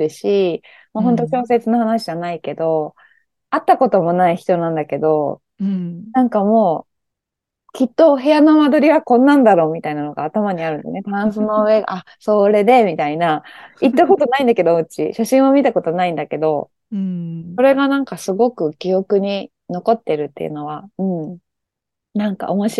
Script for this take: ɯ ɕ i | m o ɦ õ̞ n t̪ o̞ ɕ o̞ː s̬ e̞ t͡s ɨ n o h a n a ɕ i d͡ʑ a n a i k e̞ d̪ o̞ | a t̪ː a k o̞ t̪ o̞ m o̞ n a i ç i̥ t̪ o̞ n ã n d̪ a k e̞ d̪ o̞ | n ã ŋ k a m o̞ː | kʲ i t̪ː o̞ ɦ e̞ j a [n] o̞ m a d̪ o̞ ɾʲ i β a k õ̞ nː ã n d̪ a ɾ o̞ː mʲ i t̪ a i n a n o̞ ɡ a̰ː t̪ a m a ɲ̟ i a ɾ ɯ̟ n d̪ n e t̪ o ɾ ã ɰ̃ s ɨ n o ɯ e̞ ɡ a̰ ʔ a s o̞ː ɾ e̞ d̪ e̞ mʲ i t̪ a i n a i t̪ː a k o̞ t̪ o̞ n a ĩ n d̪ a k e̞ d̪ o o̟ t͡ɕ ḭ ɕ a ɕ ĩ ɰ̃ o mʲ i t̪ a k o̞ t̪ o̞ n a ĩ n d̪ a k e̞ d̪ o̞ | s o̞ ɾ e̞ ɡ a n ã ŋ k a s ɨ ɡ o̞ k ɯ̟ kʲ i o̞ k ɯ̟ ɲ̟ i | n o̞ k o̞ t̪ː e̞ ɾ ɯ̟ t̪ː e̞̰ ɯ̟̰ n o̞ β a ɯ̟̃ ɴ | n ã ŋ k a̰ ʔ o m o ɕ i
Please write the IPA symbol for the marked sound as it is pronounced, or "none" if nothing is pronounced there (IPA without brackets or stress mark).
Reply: n